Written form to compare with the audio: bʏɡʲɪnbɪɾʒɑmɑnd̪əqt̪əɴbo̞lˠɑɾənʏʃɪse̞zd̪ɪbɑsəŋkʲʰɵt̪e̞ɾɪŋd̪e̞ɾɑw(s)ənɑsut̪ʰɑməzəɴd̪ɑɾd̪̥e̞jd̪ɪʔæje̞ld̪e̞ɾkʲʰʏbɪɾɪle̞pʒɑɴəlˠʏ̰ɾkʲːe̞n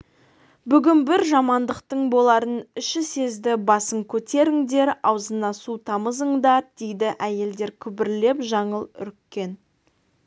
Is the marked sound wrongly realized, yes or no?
yes